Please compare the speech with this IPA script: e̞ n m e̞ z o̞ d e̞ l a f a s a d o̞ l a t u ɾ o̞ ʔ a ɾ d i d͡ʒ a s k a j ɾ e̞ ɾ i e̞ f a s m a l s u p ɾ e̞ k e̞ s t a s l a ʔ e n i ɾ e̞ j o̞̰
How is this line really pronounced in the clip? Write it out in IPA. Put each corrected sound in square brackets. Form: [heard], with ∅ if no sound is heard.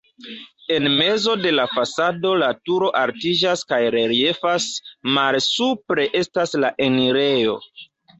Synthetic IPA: e̞ n m e̞ z o̞ d e̞ l a f a s a d o̞ l a t u ɾ o̞ ʔ a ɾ [t] i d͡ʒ a s k a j ɾ e̞ ɾ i e̞ f a s m a l s u p ɾ e̞ [ʔ] e̞ s t a s l a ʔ e n i ɾ e̞ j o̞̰